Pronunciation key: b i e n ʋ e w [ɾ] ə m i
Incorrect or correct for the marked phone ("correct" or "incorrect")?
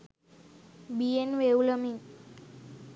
incorrect